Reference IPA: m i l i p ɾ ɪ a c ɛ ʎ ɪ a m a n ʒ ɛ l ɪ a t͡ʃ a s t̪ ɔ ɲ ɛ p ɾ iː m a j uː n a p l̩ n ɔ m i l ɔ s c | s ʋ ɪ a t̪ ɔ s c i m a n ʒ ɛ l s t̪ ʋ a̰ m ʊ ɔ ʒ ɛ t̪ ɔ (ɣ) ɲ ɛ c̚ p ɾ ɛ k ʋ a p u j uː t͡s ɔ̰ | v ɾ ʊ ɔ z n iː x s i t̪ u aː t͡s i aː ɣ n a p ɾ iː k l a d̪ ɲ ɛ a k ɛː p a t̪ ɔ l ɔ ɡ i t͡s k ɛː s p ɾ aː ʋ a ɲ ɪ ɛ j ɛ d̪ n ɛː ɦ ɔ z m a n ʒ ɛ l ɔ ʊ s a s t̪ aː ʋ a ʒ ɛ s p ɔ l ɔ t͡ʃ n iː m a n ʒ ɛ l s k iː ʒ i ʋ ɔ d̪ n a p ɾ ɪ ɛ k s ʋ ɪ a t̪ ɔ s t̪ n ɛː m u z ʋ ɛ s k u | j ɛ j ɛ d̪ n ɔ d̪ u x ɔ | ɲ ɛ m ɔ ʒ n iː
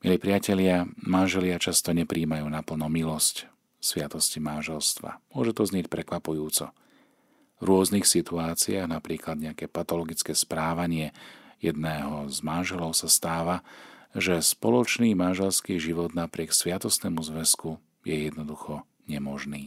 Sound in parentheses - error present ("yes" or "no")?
yes